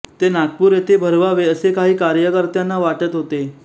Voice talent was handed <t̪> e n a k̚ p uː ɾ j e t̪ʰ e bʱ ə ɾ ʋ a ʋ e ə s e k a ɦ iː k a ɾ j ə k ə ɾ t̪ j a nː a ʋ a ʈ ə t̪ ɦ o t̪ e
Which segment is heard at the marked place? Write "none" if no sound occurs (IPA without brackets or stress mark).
t̪